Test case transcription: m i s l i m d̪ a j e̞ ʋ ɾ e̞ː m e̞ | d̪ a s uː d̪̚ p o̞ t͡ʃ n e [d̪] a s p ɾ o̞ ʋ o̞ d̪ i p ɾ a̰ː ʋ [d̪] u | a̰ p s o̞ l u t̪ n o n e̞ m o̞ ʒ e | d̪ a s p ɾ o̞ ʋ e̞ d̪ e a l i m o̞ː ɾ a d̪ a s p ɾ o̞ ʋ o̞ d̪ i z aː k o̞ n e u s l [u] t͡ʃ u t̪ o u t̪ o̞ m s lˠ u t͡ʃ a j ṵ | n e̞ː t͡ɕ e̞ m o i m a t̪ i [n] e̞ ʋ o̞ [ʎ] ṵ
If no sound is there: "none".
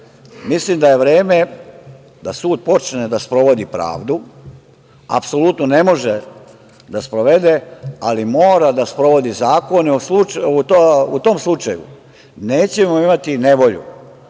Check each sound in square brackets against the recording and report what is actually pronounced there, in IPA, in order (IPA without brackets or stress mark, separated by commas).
d̪, d̪, u, n, ʎ